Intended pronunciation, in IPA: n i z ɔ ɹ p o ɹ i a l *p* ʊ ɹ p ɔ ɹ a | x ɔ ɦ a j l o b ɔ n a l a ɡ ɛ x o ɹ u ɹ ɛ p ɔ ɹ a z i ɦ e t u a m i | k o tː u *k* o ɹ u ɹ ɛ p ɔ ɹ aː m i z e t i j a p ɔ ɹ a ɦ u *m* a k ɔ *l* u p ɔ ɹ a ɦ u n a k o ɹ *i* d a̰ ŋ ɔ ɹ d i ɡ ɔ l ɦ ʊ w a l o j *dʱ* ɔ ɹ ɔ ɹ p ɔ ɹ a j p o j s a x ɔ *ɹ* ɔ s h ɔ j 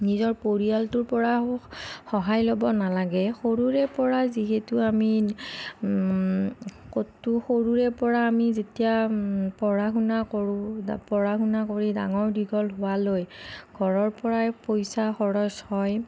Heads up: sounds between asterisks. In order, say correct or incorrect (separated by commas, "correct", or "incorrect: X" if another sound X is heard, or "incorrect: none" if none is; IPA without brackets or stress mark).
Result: incorrect: t, incorrect: x, incorrect: n, incorrect: ɹ, correct, incorrect: ɡʱ, correct